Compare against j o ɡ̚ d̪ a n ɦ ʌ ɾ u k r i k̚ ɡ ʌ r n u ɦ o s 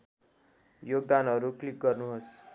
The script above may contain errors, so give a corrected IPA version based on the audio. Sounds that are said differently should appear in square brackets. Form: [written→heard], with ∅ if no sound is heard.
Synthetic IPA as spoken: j o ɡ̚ d̪ a n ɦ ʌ ɾ u k [r→l] i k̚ ɡ ʌ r n u ɦ o s